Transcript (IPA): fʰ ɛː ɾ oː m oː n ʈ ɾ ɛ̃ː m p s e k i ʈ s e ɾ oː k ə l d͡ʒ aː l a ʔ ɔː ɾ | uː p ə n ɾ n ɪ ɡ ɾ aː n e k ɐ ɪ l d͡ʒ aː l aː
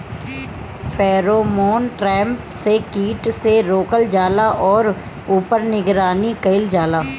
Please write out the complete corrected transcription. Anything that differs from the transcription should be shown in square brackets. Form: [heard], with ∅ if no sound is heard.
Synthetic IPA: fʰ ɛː ɾ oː m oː n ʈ ɾ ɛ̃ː m p s e k [iː] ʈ s e ɾ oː k ə l d͡ʒ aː l a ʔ ɔː ɾ | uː p ə [∅] ɾ n ɪ ɡ ɾ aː n [i] k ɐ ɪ l d͡ʒ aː l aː